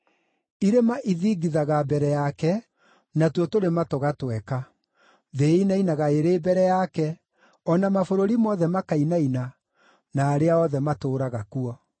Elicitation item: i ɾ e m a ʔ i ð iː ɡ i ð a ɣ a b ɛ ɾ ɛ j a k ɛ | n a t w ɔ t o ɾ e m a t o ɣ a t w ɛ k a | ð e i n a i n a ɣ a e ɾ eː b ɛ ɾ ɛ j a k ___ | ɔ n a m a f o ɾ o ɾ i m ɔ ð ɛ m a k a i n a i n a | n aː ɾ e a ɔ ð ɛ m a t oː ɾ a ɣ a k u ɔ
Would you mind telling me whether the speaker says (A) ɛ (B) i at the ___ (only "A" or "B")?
A